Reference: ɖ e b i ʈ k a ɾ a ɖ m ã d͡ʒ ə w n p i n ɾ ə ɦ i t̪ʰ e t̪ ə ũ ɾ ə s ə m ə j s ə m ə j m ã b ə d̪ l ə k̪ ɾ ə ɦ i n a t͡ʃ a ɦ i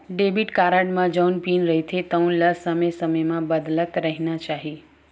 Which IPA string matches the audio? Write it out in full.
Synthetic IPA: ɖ e b i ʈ k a ɾ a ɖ m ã d͡ʒ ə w n p i n ɾ ə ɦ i t̪ʰ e t̪ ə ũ l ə s ə m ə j s ə m ə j m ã b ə d̪ l ə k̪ ɾ ə ɦ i n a t͡ʃ a ɦ i

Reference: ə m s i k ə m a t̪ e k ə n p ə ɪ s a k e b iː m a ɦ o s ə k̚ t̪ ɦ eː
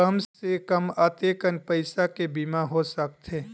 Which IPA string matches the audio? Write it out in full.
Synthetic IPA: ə m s e k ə m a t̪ e k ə n p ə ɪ s a k e b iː m a ɦ o s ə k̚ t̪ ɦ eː

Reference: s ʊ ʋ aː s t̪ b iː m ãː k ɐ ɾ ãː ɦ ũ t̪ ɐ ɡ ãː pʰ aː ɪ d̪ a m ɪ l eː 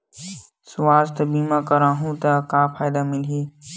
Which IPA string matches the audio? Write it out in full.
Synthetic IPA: s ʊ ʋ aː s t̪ b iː m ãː k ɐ ɾ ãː ɦ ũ t̪ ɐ k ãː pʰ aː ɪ d̪ a m ɪ l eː

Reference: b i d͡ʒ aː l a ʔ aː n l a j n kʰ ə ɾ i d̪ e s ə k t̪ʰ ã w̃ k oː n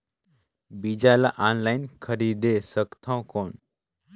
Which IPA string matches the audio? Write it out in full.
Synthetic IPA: b i d͡ʒ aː l a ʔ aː n l a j n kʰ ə ɾ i d̪ e s ə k t̪ʰ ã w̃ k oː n

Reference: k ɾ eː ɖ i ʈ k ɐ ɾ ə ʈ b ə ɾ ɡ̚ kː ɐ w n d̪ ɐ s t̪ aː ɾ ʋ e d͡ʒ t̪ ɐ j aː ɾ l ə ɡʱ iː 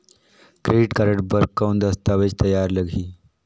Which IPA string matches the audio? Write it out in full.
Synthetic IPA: k ɾ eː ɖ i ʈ k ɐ ɾ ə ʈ b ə ɾ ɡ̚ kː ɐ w n d̪ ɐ s t̪ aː ʋ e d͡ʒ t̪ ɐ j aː ɾ l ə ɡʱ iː

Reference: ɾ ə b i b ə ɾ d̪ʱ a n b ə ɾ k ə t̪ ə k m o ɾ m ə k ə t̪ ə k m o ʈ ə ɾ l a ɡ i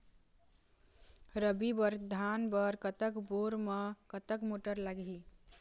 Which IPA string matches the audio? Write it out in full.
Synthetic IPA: ɾ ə b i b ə ɾ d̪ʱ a n b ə ɾ k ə t̪ ə k b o ɾ m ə k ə t̪ ə k m o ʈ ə ɾ l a ɡ i

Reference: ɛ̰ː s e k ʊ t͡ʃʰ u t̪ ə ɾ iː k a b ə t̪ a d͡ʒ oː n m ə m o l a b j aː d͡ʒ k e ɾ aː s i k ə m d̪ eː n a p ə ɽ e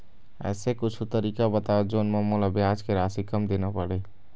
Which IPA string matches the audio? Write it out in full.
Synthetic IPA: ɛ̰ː s e k ʊ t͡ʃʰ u t̪ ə ɾ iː k a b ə t̪ a d͡ʒ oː n m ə m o l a b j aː d͡ʒ k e ɾ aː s i k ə m d̪ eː n a p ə ɽ e

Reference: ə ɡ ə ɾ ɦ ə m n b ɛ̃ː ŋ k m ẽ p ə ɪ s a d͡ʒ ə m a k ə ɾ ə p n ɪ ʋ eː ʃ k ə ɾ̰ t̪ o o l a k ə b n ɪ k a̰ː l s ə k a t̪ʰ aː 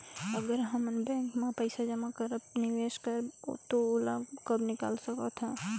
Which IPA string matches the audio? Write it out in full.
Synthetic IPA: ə ɡ ə ɾ ɦ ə m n b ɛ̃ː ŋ k m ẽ p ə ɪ s a d͡ʒ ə m a k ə ɾ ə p n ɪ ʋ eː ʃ k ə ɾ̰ t̪ o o l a k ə b n ɪ k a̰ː l s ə k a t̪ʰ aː

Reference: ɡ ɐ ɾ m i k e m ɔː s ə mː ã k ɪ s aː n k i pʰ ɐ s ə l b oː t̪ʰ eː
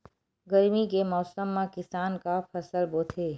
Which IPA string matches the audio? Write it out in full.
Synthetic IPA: ɡ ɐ ɾ m i k e m ɔː s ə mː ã k ɪ s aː n k a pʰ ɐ s ə l b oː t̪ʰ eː

